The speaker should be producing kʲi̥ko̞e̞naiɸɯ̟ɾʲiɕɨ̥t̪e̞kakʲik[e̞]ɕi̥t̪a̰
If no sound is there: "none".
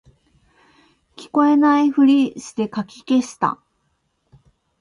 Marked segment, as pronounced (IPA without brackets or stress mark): e̞